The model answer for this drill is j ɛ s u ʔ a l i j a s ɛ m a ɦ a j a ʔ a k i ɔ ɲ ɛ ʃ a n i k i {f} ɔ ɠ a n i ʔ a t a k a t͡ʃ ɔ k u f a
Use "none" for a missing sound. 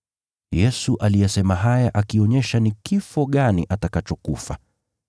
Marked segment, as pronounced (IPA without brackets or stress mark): f